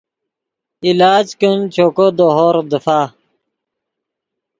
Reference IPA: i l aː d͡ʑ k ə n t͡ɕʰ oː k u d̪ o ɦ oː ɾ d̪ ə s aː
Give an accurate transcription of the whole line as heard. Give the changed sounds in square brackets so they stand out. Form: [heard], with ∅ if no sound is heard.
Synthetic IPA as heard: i l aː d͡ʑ k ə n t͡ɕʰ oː k [o] d̪ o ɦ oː ɾ d̪ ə [f] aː